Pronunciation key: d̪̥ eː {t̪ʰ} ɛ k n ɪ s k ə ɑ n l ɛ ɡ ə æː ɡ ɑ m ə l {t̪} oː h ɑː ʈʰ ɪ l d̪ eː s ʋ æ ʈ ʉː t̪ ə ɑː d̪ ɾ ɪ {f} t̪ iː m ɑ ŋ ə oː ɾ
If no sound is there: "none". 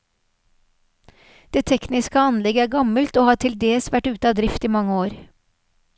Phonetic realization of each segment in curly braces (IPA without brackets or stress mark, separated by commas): t̪ʰ, t̪, f